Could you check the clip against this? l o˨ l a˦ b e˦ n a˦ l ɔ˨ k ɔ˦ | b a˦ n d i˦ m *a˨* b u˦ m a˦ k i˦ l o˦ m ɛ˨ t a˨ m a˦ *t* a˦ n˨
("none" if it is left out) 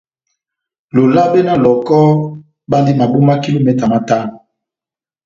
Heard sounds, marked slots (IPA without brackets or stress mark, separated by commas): a˨, t